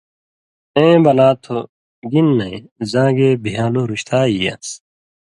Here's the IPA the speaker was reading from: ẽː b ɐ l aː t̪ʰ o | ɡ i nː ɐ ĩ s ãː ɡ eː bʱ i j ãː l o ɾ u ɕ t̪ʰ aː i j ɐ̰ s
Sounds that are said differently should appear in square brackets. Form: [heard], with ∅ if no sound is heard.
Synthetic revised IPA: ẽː b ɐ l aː t̪ʰ o | ɡ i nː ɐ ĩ [z] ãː ɡ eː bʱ i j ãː l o ɾ u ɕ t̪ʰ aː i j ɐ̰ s